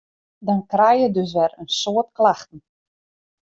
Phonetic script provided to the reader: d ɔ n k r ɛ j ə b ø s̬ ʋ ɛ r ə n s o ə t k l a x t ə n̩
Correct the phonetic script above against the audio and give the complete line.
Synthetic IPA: d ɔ n k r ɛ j ə d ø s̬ ʋ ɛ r ə n s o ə t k l a x t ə n̩